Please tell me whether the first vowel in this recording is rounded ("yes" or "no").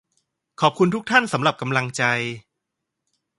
yes